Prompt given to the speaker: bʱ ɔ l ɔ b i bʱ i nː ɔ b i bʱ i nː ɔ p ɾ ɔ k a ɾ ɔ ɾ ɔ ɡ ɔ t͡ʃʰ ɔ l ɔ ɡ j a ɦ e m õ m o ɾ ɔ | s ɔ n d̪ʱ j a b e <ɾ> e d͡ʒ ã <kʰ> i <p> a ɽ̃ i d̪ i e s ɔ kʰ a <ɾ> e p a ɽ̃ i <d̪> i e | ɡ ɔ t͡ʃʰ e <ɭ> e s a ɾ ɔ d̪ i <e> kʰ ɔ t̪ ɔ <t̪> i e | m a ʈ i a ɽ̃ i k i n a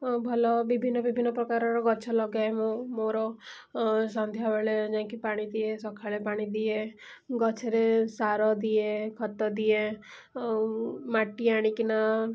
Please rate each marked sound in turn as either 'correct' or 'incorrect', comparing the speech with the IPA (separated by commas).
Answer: incorrect, incorrect, correct, incorrect, correct, incorrect, correct, incorrect